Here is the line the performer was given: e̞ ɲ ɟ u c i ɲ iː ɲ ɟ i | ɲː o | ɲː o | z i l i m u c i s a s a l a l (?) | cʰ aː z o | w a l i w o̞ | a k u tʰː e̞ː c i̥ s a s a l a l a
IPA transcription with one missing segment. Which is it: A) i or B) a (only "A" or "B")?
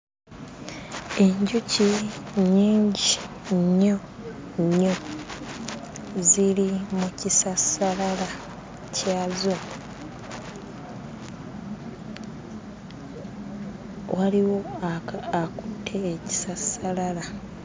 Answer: B